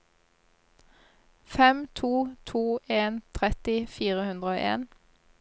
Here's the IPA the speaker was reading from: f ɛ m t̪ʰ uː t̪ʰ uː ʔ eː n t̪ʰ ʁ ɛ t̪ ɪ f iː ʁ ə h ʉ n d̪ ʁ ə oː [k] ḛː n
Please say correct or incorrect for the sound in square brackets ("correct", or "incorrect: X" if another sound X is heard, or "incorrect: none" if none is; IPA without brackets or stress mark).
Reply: incorrect: ʔ